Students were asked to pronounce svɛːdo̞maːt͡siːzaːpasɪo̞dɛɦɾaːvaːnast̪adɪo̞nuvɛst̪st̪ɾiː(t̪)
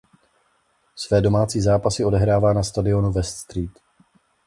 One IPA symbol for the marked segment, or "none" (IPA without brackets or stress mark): t̪